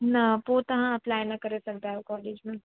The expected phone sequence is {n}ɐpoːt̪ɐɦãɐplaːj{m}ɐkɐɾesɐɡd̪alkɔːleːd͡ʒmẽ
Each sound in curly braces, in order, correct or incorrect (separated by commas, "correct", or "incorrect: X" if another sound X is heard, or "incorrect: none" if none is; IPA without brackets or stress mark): correct, incorrect: n